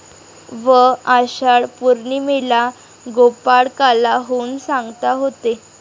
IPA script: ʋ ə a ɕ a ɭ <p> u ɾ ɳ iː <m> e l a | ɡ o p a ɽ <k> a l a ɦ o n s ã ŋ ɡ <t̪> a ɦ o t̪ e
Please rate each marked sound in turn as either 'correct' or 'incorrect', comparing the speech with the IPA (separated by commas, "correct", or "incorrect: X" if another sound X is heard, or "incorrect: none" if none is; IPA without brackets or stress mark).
correct, correct, correct, correct